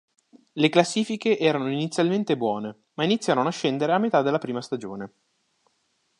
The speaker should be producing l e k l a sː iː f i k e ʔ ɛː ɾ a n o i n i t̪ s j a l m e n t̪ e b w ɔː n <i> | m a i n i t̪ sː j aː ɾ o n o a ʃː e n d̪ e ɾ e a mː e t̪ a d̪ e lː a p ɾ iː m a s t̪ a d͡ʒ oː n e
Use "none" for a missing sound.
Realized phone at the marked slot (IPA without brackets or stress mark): e